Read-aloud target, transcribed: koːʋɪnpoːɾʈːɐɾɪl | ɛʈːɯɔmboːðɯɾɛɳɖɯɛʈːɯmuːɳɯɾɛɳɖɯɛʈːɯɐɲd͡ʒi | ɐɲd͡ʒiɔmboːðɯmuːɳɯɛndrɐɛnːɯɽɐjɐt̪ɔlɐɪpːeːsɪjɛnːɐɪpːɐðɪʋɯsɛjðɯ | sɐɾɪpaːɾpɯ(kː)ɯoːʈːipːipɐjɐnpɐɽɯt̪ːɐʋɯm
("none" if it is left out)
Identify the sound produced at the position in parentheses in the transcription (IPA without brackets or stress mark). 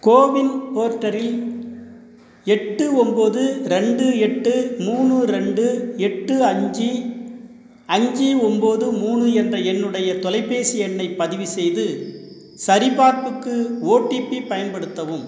kː